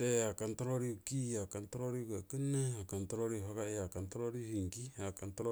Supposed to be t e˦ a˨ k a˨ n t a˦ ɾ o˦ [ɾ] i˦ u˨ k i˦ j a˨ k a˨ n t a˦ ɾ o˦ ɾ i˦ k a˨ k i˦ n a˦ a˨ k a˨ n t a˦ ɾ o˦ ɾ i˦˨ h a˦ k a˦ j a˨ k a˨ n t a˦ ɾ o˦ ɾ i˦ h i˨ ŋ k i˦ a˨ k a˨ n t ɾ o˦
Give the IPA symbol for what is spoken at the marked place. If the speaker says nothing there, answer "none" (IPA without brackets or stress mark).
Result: ɾ